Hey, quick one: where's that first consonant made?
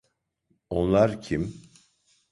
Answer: tongue tip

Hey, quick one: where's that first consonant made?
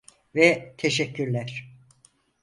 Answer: lips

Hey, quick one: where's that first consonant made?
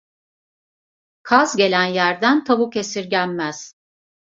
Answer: velum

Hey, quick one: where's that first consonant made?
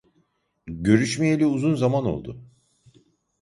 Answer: palate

